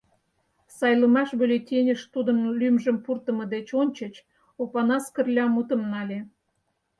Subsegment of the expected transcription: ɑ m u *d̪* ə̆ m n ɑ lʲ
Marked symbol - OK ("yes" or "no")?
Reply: no